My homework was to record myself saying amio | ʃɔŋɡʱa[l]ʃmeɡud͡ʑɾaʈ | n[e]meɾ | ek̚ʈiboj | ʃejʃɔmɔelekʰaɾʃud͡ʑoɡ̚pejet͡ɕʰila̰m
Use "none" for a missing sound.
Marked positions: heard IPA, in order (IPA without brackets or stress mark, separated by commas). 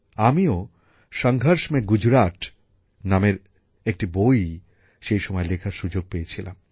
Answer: ɾ, a